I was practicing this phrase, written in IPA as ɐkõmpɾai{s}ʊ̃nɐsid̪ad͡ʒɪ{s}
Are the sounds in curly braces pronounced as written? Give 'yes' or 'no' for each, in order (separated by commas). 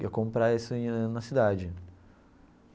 yes, no